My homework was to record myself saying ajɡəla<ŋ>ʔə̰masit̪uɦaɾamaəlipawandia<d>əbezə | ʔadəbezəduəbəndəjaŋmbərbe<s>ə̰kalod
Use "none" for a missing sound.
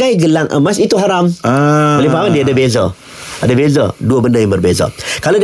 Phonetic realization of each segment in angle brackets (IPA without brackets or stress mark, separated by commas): ŋ, d, z